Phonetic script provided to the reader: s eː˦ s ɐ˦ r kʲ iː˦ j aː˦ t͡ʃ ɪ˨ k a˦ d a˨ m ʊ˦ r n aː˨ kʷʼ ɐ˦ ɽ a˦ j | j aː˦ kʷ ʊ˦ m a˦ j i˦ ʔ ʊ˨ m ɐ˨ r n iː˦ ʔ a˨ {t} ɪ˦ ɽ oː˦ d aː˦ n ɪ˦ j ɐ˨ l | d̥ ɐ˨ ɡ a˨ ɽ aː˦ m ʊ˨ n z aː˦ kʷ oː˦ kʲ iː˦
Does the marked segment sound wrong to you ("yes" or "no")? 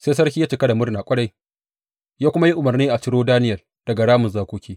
yes